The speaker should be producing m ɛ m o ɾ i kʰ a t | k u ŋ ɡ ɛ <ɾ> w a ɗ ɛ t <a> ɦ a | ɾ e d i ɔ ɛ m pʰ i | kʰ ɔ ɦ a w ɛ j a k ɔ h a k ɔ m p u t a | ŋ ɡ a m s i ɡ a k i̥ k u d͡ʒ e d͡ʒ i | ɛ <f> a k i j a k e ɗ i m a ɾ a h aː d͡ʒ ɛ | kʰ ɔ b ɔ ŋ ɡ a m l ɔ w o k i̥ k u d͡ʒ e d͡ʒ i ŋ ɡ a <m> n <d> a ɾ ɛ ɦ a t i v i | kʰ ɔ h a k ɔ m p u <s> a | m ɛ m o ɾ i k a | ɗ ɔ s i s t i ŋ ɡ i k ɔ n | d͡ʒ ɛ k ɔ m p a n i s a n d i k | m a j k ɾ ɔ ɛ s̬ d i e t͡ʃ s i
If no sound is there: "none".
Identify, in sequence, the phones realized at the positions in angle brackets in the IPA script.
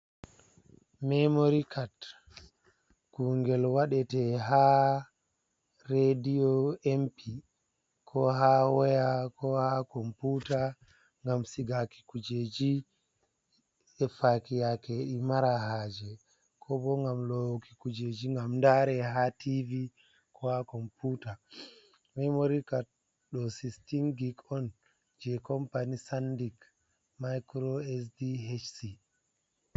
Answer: l, ɛ, f, m, d, t

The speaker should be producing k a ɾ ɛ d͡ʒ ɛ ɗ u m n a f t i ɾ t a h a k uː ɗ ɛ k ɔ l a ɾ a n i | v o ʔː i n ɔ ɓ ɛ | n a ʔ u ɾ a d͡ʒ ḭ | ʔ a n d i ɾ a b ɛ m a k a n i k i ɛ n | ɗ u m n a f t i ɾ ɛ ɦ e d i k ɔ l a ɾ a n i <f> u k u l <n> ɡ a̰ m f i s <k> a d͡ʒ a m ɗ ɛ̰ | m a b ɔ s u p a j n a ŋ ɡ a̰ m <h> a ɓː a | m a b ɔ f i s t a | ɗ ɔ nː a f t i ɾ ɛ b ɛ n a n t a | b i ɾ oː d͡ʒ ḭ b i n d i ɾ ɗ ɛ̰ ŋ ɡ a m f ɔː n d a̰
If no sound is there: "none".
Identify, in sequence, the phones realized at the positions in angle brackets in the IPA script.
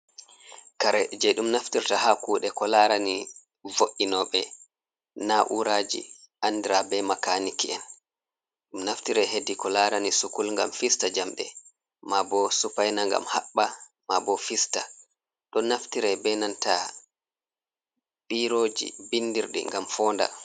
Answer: s, ŋ, t, h

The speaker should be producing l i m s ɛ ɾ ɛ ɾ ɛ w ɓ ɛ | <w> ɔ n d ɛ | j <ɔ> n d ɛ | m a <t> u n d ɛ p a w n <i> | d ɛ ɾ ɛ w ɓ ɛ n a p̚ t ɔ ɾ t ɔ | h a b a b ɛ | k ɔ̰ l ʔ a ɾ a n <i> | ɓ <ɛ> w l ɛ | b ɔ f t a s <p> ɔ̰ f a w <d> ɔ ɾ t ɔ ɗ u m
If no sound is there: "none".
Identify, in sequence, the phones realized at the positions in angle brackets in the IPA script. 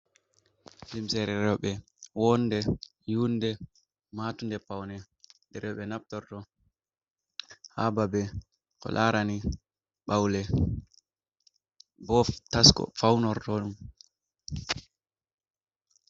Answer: w, u, t, ɛ, i, a, k, n

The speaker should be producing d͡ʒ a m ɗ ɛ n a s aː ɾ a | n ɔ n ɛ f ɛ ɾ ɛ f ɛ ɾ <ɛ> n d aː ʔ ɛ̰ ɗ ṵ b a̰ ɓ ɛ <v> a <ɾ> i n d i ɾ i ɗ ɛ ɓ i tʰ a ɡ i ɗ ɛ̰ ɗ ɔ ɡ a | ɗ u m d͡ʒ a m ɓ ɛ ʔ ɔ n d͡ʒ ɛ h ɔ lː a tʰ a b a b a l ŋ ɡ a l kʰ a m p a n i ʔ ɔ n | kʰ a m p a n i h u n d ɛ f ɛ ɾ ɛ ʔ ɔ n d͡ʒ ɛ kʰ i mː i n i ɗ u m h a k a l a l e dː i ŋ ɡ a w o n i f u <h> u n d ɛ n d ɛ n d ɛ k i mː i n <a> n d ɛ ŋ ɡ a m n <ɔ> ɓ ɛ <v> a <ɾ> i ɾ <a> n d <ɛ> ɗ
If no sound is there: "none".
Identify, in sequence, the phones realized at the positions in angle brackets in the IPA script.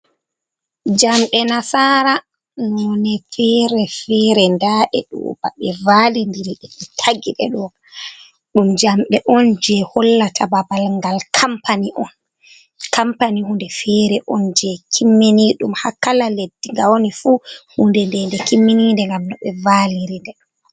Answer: ɛ, v, l, h, i, ɔ, v, l, i, ɛ

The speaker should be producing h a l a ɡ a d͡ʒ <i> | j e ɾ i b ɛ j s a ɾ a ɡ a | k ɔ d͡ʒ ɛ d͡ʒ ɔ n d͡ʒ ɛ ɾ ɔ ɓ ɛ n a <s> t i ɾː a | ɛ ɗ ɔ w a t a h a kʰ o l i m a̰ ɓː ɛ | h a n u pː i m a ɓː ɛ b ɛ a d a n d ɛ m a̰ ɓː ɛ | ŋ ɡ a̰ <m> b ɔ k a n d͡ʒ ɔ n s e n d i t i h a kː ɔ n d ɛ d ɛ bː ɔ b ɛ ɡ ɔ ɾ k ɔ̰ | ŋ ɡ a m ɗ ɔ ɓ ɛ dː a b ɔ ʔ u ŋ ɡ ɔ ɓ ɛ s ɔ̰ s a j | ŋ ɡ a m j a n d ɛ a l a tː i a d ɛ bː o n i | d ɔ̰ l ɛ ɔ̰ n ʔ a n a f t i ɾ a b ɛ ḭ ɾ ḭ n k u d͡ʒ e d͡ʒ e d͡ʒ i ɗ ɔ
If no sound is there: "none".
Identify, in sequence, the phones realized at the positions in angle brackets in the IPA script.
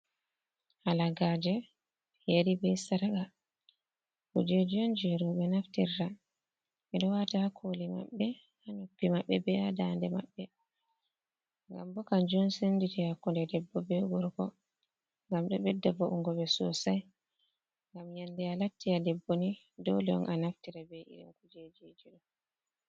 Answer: ɛ, f, m

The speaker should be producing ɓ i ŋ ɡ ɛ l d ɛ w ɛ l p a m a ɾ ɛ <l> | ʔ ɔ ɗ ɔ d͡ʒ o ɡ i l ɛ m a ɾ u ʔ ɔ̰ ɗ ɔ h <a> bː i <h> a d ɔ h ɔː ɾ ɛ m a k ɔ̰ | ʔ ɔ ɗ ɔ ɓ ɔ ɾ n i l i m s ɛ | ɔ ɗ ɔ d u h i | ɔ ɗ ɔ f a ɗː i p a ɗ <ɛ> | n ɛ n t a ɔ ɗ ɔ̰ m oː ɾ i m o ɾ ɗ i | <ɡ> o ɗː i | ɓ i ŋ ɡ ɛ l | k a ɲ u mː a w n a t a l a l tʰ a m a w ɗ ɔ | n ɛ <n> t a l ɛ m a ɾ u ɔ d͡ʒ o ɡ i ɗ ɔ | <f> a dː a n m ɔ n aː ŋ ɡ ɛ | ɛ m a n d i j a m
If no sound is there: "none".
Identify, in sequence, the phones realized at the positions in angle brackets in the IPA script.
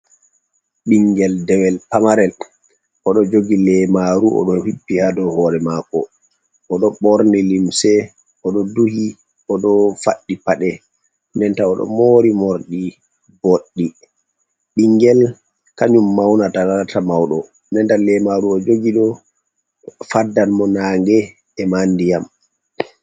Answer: l, i, h, ɛ, b, n, f

